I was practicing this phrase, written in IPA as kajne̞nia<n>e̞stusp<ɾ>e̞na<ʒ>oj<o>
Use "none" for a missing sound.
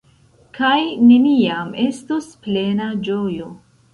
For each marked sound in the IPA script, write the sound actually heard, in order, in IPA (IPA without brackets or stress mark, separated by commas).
m, l, d͡ʒ, o